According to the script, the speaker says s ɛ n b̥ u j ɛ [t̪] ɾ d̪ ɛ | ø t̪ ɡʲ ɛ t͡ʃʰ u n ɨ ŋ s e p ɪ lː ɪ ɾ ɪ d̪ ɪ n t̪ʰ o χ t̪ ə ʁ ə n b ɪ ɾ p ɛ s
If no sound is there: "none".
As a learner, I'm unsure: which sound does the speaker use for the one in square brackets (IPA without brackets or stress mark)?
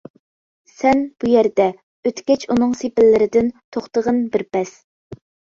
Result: none